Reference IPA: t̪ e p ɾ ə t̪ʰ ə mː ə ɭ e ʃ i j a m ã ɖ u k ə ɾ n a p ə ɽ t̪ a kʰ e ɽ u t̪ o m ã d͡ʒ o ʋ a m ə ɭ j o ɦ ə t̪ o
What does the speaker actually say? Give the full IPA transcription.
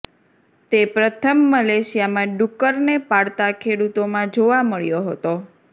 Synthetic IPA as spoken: t̪ e p ɾ ə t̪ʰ ə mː ə l e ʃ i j a m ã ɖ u k ə ɾ n e p a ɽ t̪ a kʰ e ɽ u t̪ o m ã d͡ʒ o ʋ a m ə ɭ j o ɦ ə t̪ o